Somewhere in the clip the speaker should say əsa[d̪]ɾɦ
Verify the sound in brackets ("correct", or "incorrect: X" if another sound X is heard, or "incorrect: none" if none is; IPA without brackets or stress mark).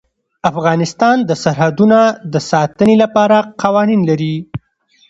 incorrect: none